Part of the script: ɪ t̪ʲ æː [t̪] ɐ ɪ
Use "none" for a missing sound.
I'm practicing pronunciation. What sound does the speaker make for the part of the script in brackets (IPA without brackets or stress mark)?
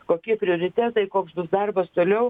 t̪